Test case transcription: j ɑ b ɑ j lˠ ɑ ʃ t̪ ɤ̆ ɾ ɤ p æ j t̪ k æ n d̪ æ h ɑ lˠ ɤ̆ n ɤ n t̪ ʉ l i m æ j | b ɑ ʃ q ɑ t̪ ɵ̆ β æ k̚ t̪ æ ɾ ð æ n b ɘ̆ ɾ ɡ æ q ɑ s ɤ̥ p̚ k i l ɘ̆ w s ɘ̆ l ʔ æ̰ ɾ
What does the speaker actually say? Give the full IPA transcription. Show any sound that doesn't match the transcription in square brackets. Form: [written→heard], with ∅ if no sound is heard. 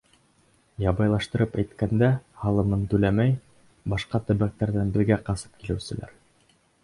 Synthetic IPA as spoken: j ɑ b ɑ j lˠ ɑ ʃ t̪ ɤ̆ ɾ ɤ p æ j t̪ k æ n d̪ æ h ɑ lˠ ɤ̆ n ɤ n t̪ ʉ l [i→æ] m æ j | b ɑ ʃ q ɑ t̪ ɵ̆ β æ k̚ t̪ æ ɾ ð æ n b ɘ̆ ɾ ɡ æ q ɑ s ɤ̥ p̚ k i l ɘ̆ w s ɘ̆ l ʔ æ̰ ɾ

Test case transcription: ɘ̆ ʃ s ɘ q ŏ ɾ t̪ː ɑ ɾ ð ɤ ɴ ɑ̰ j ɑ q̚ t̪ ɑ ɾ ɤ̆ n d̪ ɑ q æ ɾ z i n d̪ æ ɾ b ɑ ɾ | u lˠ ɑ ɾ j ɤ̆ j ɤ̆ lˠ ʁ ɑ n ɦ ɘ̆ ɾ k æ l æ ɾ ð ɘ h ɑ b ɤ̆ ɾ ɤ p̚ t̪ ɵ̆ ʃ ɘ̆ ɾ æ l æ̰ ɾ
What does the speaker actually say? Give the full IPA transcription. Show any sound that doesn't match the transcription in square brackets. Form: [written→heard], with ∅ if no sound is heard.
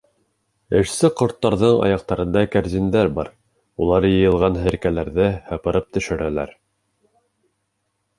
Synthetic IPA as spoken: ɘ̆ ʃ s ɘ q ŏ ɾ t̪ː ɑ ɾ ð ɤ ɴ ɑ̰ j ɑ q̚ t̪ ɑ ɾ ɤ̆ n d̪ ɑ [q→k] æ ɾ z i n d̪ æ ɾ b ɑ ɾ | u lˠ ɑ ɾ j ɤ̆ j ɤ̆ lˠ ʁ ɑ n ɦ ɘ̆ ɾ k æ l æ ɾ ð ɘ h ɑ [b→p] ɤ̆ ɾ ɤ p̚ t̪ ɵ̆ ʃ ɘ̆ ɾ æ l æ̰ ɾ

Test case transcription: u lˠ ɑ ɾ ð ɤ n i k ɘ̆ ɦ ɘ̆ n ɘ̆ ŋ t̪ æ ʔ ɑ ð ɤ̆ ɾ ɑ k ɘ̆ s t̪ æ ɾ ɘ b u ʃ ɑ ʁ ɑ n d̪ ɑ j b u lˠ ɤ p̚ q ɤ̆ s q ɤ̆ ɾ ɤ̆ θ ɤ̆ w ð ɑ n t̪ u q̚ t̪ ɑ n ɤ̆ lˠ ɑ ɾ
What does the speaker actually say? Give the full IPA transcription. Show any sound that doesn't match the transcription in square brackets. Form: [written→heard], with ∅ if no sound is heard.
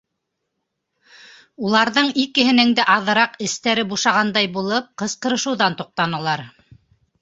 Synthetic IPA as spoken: u lˠ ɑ ɾ ð ɤ [n→ɴ] i k ɘ̆ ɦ ɘ̆ n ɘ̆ ŋ [t̪→d̪] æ ʔ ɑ ð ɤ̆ ɾ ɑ [k→q] ɘ̆ s t̪ æ ɾ ɘ b u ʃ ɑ ʁ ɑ n d̪ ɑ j b u lˠ ɤ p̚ q ɤ̆ s q ɤ̆ ɾ ɤ̆ [θ→ʃ] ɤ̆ w ð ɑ n t̪ u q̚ t̪ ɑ n ɤ̆ lˠ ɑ ɾ

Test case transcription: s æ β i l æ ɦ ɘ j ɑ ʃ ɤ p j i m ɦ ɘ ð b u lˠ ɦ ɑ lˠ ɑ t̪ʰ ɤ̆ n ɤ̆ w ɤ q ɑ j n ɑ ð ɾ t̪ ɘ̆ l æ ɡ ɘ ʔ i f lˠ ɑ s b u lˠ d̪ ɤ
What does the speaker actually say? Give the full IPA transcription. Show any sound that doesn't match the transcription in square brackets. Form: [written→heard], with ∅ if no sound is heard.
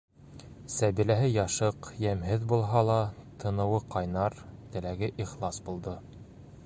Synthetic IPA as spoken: s æ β i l æ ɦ ɘ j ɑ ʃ ɤ [p→q] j [i→æ] m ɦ ɘ ð b u lˠ ɦ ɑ lˠ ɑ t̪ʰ ɤ̆ n ɤ̆ w ɤ q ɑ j n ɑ [ð→∅] ɾ t̪ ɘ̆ l æ ɡ ɘ ʔ i [f→χ] lˠ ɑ s b u lˠ d̪ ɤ

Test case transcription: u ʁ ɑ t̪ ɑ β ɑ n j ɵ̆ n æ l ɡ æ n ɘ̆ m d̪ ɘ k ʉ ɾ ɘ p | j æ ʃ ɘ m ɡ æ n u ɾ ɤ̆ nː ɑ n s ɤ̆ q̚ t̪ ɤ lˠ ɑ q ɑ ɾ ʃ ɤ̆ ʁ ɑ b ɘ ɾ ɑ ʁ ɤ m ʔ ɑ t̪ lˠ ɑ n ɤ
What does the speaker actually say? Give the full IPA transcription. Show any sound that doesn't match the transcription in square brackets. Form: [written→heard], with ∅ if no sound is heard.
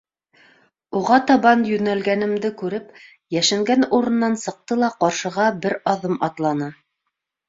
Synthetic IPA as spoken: u ʁ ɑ t̪ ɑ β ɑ n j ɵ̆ n æ l ɡ æ n ɘ̆ m d̪ ɘ k ʉ ɾ ɘ p | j æ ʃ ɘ [m→ŋ] ɡ æ n u ɾ ɤ̆ nː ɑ n s ɤ̆ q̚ t̪ ɤ lˠ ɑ q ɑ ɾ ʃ ɤ̆ ʁ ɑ b ɘ ɾ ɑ [ʁ→ð] ɤ m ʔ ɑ t̪ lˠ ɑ n ɤ

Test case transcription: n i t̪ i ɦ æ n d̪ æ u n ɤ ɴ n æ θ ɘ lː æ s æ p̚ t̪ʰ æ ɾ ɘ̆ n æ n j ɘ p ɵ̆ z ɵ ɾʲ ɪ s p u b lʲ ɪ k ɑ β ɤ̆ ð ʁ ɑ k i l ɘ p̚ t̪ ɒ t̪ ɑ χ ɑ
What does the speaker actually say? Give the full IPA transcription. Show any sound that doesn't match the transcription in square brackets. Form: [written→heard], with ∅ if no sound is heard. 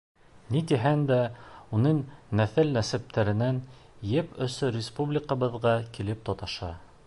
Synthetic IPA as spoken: n i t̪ i ɦ æ n d̪ æ u n ɤ ɴ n æ θ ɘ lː æ s æ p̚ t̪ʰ æ ɾ ɘ̆ n æ n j ɘ p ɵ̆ [z→s] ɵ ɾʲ ɪ s p u b lʲ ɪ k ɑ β ɤ̆ ð ʁ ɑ k i l ɘ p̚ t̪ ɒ t̪ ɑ [χ→ʃ] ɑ

